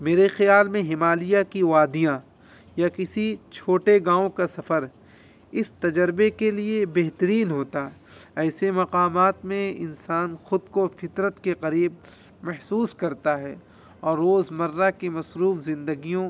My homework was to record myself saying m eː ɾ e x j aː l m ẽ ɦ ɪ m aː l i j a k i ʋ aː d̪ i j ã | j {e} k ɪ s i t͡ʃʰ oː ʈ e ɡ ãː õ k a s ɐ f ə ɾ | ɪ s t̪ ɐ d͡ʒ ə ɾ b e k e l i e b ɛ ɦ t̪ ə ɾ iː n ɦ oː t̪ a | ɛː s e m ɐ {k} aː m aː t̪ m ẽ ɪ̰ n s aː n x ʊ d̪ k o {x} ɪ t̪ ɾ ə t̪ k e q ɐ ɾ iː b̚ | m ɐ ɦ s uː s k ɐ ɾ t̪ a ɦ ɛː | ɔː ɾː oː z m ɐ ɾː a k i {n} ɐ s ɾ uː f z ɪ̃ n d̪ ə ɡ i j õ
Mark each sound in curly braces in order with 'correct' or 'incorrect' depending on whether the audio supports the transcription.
incorrect: a, incorrect: q, incorrect: f, incorrect: m

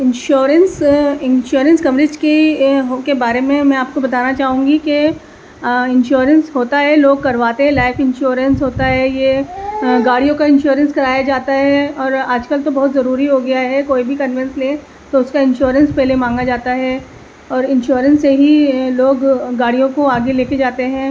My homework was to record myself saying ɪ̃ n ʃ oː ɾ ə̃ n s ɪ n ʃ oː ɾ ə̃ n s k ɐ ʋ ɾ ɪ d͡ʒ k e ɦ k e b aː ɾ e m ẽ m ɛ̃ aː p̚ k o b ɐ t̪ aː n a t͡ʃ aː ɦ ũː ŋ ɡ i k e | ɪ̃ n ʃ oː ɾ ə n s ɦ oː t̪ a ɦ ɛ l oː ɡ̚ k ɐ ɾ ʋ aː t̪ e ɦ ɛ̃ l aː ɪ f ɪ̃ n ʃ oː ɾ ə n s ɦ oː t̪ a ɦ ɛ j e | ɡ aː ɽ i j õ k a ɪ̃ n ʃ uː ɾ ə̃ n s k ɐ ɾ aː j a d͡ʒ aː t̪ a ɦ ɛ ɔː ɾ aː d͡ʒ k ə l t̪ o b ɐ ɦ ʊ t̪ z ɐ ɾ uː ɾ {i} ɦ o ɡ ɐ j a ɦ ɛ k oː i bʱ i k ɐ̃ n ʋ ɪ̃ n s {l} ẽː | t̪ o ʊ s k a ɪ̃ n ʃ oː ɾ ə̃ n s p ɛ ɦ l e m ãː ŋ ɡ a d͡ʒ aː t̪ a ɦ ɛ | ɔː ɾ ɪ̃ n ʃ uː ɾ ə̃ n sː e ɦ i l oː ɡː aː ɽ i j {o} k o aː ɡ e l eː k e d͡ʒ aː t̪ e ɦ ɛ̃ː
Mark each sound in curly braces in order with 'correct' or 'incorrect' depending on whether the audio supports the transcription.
correct, correct, incorrect: õ

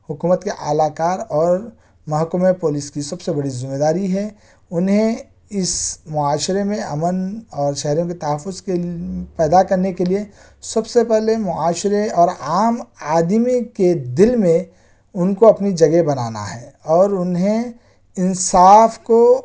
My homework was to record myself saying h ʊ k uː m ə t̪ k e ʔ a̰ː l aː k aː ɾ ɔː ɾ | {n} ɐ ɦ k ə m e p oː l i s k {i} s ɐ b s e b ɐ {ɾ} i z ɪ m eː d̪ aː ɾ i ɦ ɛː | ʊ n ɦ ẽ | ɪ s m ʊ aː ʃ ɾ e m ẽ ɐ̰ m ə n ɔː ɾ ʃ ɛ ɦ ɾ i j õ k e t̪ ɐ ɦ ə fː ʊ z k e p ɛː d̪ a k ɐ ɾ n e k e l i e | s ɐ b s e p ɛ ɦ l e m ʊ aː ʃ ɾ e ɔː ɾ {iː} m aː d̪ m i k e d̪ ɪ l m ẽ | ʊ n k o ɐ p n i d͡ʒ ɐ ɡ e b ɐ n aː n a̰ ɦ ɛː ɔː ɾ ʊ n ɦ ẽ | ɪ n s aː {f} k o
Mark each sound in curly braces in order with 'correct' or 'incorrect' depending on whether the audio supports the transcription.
incorrect: m, correct, incorrect: ɽ, incorrect: aː, correct

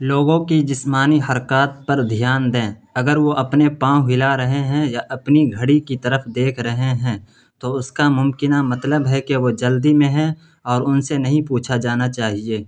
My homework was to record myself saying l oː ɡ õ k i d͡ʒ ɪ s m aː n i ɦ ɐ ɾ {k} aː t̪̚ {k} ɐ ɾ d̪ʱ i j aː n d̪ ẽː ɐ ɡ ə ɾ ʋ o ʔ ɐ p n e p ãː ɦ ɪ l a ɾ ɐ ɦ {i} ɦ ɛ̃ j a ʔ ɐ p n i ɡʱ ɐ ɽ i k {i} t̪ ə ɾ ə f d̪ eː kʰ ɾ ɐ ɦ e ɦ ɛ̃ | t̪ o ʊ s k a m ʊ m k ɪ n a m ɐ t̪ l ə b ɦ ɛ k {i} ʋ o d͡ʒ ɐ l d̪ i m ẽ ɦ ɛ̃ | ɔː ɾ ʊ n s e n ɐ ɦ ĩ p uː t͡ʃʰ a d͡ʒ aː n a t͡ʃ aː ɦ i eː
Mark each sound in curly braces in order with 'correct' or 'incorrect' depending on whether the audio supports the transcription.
correct, incorrect: p, incorrect: e, correct, incorrect: e

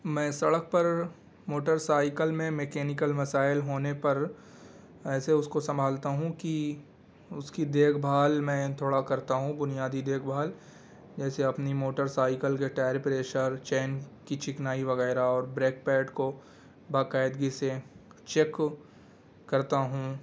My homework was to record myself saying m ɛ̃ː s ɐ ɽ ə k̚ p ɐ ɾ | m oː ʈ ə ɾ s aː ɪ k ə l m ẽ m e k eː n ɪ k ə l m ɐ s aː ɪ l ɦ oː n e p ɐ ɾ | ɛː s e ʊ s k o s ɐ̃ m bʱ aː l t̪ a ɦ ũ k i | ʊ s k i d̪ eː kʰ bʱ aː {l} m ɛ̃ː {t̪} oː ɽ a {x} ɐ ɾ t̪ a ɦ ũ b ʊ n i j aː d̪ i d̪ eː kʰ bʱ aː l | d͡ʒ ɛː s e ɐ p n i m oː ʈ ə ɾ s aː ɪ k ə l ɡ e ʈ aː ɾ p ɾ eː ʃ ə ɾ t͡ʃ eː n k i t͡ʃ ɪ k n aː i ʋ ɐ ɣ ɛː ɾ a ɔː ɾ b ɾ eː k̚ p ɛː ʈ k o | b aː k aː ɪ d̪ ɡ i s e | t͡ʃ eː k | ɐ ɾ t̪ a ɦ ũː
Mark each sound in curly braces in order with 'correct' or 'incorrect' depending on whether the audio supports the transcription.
correct, incorrect: t̪ʰ, incorrect: k

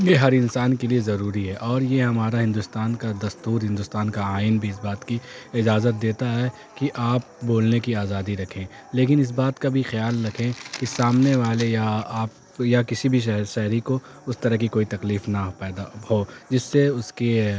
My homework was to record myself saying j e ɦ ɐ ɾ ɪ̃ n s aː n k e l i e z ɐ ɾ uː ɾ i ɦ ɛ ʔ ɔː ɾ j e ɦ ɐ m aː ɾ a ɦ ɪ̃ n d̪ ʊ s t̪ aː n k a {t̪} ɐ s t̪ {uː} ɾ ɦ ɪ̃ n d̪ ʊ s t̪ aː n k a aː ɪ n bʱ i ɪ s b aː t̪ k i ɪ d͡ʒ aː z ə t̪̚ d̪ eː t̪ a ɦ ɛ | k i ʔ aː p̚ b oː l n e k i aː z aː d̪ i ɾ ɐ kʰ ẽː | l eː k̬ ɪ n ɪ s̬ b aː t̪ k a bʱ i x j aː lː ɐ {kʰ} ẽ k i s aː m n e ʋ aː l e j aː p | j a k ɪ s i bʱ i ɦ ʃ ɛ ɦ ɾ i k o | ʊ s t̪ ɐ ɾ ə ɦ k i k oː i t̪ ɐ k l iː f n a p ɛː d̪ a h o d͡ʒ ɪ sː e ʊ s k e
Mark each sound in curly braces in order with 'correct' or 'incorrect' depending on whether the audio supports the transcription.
incorrect: d̪, correct, correct

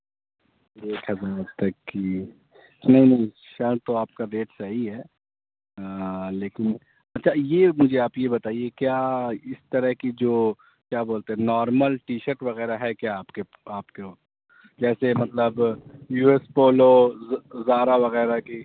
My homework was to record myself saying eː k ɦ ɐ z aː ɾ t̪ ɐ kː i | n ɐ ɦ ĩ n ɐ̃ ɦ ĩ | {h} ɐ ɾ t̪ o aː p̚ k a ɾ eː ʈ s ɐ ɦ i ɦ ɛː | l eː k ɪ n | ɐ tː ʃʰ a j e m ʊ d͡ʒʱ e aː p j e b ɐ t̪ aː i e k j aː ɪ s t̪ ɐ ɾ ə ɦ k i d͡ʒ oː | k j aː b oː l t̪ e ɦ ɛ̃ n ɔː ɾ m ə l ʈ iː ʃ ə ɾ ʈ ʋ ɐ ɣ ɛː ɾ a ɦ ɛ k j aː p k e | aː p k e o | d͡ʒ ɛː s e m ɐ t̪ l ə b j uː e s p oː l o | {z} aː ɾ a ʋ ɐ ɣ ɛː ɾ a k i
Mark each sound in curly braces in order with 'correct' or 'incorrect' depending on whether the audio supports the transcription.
incorrect: ʃ, correct

